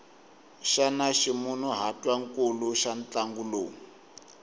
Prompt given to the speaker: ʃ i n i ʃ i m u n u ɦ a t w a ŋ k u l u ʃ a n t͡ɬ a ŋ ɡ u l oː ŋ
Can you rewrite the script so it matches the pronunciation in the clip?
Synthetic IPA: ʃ a n a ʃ i m u n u ɦ a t w a ŋ k u l u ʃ a n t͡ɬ a ŋ ɡ u l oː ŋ